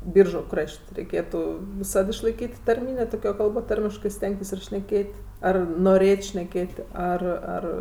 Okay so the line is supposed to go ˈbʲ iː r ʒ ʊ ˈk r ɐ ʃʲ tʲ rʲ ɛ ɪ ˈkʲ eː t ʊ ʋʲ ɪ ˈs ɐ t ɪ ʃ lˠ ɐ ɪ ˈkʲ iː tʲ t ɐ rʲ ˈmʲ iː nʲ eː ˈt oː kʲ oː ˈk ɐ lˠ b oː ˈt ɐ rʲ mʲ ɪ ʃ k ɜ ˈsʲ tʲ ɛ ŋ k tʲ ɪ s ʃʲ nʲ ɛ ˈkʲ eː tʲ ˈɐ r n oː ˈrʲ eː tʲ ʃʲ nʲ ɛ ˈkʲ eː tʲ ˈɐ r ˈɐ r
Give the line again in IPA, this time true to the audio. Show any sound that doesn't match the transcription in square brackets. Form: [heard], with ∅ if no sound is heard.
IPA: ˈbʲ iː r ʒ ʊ ˈk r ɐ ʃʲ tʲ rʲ ɛ ɪ ˈkʲ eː t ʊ ʋʲ ɪ ˈs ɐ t ɪ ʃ lˠ ɐ ɪ ˈkʲ iː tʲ t ɐ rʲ ˈmʲ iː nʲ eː ˈt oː kʲ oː ˈk ɐ lˠ b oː ˈt ɐ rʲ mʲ ɪ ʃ k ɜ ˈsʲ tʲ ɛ ŋ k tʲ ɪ s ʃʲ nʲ ɛ ˈkʲ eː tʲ ˈɐ r n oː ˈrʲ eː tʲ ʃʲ nʲ ɛ ˈkʲ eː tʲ ˈɐ r ˈɐ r